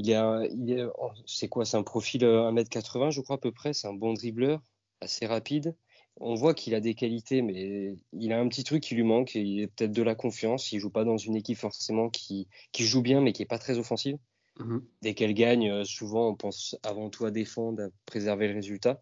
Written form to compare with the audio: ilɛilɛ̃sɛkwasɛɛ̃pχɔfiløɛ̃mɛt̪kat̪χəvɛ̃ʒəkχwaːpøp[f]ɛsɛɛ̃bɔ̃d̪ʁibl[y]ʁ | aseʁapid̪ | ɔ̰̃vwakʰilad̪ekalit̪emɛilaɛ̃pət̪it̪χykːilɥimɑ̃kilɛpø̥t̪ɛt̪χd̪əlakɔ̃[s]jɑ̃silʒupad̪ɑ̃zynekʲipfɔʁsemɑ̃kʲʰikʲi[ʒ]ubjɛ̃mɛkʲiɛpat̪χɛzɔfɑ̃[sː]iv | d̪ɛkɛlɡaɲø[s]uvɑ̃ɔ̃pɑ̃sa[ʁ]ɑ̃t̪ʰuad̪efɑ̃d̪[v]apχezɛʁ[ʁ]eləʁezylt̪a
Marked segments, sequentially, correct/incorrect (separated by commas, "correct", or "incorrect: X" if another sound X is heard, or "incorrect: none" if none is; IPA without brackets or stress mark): incorrect: χ, incorrect: œ, incorrect: f, correct, incorrect: s, correct, incorrect: v, incorrect: ʁ, incorrect: v